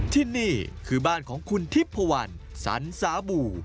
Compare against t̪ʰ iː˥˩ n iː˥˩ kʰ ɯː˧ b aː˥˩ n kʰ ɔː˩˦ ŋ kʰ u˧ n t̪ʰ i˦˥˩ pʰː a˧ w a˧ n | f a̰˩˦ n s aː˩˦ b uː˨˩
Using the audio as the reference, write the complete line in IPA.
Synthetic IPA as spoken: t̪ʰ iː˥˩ n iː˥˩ kʰ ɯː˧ b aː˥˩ n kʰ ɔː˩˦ ŋ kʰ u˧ n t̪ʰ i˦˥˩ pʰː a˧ w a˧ n | s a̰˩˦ n s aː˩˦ b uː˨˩